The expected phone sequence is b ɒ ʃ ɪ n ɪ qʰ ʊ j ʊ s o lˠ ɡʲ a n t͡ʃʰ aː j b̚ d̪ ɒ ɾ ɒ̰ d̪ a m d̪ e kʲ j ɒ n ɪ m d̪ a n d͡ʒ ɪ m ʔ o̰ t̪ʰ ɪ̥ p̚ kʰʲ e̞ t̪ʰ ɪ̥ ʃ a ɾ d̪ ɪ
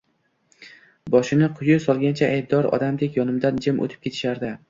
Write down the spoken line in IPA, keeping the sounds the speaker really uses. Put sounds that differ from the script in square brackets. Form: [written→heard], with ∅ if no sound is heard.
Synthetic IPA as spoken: b ɒ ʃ ɪ n ɪ qʰ ʊ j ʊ s [o→ɒ] lˠ ɡʲ a n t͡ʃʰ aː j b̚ d̪ ɒ ɾ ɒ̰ d̪ a m d̪ e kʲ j ɒ n ɪ m d̪ a n d͡ʒ ɪ m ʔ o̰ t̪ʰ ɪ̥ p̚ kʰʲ e̞ t̪ʰ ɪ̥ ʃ a ɾ d̪ ɪ

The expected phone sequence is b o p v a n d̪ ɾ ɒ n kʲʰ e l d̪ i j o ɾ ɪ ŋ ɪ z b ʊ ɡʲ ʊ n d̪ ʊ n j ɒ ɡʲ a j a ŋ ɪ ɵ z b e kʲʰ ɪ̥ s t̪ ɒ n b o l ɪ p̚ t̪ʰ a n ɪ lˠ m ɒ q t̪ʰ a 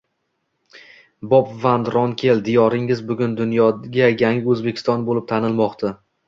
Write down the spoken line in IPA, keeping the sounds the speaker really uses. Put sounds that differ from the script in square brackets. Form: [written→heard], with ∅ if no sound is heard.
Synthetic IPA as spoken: b [o→ɒ] p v a n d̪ ɾ ɒ n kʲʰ e l d̪ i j [o→ɒ] ɾ ɪ ŋ ɪ z b ʊ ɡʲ ʊ n d̪ ʊ n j ɒ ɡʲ a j a ŋ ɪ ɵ z b e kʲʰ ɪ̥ s t̪ ɒ n b o l ɪ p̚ t̪ʰ a n ɪ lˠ m ɒ q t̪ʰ a

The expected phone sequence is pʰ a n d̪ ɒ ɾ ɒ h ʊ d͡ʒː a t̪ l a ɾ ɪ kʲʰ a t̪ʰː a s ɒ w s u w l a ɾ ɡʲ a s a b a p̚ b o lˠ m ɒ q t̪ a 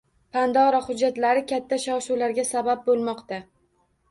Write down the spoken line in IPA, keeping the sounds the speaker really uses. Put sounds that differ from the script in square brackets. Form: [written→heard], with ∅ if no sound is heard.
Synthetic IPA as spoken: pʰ a n d̪ ɒ ɾ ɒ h ʊ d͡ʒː a t̪ l a ɾ ɪ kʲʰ a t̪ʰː a [s→ʃ] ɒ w [s→ʃ] u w l a ɾ ɡʲ a s a b a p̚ b o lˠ m ɒ q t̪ a

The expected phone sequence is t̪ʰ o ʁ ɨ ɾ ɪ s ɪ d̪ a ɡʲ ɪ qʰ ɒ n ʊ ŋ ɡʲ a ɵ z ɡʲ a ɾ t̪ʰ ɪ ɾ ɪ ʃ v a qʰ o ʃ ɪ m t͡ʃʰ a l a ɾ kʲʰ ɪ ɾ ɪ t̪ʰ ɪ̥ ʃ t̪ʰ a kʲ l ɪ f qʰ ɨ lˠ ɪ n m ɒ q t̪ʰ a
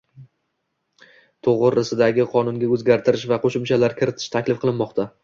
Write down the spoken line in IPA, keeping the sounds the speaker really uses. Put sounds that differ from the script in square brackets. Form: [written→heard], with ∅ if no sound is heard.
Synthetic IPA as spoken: t̪ʰ o ʁ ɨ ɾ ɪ s ɪ d̪ a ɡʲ ɪ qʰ ɒ n ʊ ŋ ɡʲ a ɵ z ɡʲ a ɾ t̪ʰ ɪ ɾ ɪ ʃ v a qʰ o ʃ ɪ m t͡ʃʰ a l a ɾ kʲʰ ɪ ɾ ɪ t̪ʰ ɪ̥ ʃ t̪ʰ a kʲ l ɪ f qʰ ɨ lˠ ɪ n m ɒ q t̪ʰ a

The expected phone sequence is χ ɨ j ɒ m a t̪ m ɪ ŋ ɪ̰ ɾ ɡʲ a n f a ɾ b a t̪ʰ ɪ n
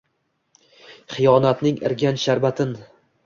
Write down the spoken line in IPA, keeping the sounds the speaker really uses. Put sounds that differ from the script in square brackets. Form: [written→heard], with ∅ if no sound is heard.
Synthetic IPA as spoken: χ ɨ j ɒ [m→n] a t̪ [m→n] ɪ ŋ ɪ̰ ɾ ɡʲ a n [f→ʃ] a ɾ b a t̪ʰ ɪ n

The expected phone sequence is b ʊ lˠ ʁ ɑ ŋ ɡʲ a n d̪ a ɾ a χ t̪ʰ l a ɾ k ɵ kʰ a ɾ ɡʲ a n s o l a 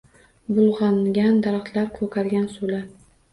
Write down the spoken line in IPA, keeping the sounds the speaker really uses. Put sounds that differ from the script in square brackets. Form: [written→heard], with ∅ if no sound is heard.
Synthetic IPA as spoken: b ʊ lˠ ʁ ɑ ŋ ɡʲ a n d̪ a ɾ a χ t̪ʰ l a ɾ [k→kʰ] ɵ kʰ a ɾ ɡʲ a n s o l a

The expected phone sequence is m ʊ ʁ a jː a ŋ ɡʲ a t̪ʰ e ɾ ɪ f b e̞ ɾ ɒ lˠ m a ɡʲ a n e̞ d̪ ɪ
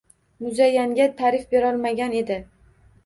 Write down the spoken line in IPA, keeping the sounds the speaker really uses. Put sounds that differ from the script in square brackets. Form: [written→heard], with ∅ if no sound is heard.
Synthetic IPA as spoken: m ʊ [ʁ→z] a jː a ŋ ɡʲ a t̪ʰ [e→a] ɾ ɪ f b e̞ ɾ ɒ lˠ m a ɡʲ a n e̞ d̪ ɪ

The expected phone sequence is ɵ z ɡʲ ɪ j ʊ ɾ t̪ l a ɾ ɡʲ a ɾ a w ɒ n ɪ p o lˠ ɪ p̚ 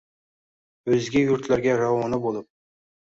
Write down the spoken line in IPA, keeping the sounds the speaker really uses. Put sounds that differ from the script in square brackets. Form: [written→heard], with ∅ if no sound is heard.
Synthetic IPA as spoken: ɵ z ɡʲ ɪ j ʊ ɾ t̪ l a ɾ ɡʲ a ɾ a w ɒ n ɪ [p→b] o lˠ ɪ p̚

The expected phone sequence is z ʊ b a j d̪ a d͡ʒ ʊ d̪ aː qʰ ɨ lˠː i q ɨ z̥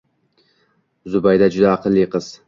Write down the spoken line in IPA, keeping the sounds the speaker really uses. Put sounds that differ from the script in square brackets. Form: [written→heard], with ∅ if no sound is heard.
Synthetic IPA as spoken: z ʊ b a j d̪ a d͡ʒ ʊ d̪ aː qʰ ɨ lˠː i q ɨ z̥

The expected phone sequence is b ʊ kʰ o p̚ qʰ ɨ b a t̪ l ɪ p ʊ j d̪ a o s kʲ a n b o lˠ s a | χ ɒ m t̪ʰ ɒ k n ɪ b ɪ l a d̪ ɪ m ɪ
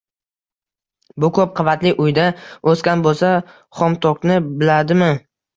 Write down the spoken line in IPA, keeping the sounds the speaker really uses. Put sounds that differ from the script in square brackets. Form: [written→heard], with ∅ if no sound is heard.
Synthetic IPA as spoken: b ʊ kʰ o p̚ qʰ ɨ [b→v] a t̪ l ɪ [p→ʔ] ʊ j d̪ a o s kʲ a n b o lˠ s a | χ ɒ m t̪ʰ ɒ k n ɪ b ɪ l a d̪ ɪ m ɪ

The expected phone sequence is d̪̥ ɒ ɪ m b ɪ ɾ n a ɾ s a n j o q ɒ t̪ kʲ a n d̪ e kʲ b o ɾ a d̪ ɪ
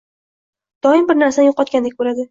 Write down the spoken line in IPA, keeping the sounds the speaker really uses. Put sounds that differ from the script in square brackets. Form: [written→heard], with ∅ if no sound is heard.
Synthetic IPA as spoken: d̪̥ ɒ ɪ m b ɪ ɾ n a ɾ s a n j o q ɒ t̪ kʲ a n d̪ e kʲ b o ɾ a d̪ ɪ

